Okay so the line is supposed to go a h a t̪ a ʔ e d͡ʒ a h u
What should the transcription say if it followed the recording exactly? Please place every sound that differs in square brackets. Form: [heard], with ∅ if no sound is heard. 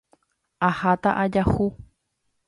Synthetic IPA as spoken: a h a t̪ a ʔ [a] d͡ʒ a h u